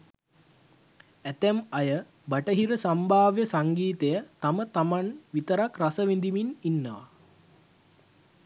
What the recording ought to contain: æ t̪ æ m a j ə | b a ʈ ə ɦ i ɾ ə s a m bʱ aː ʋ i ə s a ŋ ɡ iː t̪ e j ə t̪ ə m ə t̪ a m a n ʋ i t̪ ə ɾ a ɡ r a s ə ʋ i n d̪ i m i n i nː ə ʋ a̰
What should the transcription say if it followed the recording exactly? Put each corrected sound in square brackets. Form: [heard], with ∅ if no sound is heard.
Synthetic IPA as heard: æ t̪ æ m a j ə | b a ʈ ə ɦ i ɾ ə s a m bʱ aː ʋ [j] ə s a ŋ ɡ iː t̪ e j ə t̪ [a] m ə t̪ a m a n ʋ i t̪ ə ɾ a [k] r a s ə ʋ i n d̪ i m i n i nː ə ʋ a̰